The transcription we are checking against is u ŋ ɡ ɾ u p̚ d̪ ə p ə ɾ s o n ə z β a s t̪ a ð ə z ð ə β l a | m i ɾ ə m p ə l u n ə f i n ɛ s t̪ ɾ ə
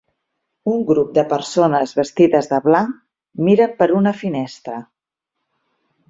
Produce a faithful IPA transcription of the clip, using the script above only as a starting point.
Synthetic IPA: u ŋ ɡ ɾ u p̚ d̪ ə p ə ɾ s o n ə z β ə s t̪ i ð ə z ð ə β l a | m i ɾ ə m p ə ɾ u n ə f i n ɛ s t̪ ɾ ə